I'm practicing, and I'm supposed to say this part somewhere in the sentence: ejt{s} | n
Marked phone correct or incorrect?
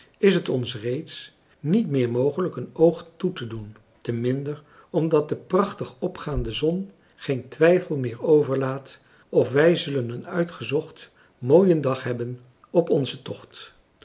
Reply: correct